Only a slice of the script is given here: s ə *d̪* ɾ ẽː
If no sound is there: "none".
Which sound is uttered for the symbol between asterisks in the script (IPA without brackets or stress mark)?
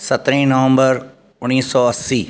t̪